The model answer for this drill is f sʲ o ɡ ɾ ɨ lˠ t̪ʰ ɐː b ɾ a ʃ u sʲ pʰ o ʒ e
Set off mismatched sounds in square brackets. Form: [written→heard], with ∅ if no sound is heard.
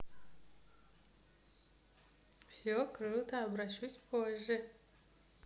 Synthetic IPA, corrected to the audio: f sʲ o [ɡ→k] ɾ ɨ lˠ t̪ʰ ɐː b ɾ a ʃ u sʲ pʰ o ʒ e